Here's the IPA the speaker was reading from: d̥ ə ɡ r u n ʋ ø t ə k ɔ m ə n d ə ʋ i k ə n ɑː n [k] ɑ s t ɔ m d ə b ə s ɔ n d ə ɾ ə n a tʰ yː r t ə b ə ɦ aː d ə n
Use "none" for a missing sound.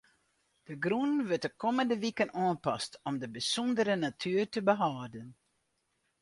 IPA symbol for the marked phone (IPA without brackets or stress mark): p